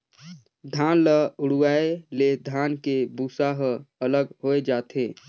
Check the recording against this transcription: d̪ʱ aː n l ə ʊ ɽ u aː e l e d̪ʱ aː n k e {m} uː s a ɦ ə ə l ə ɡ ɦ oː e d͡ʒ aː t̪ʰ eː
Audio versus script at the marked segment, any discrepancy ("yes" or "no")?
yes